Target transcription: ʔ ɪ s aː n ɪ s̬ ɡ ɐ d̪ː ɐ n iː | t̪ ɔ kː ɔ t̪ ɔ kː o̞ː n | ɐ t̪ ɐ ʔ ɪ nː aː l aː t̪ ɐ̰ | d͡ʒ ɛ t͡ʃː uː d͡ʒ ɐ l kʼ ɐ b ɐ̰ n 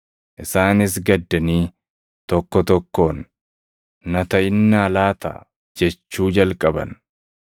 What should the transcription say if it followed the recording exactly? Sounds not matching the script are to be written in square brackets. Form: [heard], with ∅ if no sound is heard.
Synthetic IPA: ʔ ɪ s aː n ɪ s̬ ɡ ɐ d̪ː ɐ n iː | t̪ ɔ kː ɔ t̪ ɔ kː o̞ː [nː] | ɐ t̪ ɐ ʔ ɪ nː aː l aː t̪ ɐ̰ | d͡ʒ ɛ t͡ʃː uː d͡ʒ ɐ l kʼ ɐ b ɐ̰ n